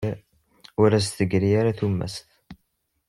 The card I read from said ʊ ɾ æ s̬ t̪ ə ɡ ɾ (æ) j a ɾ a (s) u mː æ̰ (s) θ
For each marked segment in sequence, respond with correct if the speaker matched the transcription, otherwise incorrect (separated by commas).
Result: incorrect, incorrect, correct